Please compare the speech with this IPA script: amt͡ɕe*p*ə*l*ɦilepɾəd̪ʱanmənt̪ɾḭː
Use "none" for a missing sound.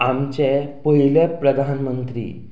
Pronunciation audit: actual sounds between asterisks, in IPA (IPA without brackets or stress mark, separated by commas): p, none